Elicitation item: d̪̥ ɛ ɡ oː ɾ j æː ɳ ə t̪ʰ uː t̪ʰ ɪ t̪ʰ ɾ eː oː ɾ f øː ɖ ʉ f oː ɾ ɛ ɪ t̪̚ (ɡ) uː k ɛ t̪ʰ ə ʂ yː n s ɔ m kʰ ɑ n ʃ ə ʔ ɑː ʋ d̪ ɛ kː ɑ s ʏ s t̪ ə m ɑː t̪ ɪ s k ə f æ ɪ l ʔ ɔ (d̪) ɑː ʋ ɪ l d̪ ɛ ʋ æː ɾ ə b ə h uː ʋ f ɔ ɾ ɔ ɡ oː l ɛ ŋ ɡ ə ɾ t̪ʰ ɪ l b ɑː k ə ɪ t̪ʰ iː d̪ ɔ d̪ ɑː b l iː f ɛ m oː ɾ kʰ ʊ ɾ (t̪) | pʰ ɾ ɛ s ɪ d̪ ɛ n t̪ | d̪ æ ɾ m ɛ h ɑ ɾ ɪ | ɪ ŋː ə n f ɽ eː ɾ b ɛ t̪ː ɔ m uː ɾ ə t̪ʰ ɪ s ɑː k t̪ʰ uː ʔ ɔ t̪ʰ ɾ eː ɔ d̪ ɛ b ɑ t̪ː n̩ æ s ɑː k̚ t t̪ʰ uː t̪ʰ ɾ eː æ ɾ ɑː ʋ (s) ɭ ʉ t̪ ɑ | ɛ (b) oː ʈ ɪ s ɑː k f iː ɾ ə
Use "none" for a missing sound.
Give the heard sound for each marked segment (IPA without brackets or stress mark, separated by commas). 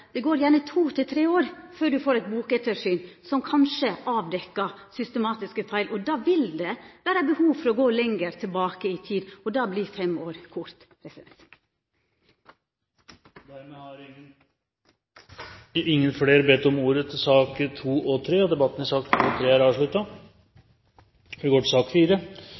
b, d̪, t̪, ʂ, ɡ